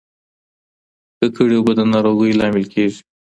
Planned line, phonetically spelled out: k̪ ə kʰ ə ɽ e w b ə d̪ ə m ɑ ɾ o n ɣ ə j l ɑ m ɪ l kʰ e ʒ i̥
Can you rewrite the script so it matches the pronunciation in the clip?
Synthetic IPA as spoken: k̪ ə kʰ ə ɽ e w b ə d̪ ə n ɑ ɾ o ɣ ə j l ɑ m ɪ l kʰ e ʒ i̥